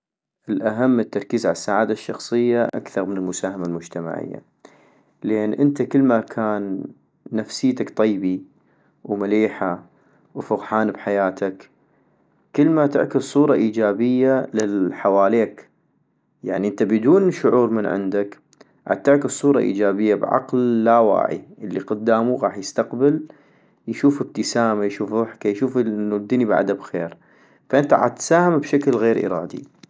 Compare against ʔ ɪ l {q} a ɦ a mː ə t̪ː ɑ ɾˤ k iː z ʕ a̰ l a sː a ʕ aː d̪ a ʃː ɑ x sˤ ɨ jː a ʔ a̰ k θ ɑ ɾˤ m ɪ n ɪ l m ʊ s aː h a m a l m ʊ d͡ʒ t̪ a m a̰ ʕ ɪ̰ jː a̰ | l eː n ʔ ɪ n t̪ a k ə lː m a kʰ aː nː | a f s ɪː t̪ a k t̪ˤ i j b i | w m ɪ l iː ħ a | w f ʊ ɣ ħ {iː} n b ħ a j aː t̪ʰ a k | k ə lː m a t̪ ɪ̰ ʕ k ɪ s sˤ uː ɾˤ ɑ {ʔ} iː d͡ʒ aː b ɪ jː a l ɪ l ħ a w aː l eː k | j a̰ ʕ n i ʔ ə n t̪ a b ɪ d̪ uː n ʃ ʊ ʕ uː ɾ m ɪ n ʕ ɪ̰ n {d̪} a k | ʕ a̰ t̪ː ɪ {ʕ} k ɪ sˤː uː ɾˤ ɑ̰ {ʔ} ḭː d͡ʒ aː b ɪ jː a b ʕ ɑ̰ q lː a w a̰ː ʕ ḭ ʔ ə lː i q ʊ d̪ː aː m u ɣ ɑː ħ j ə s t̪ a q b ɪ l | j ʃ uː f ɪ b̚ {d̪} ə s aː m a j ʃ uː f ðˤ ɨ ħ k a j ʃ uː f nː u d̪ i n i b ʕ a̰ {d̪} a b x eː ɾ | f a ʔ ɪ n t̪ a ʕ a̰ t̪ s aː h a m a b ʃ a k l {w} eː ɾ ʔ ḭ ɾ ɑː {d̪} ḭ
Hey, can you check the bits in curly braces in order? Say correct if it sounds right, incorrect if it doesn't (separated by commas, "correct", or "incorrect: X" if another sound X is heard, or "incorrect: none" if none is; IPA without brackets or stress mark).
incorrect: ʔ, incorrect: aː, correct, correct, correct, correct, incorrect: t̪, correct, incorrect: ɣ, correct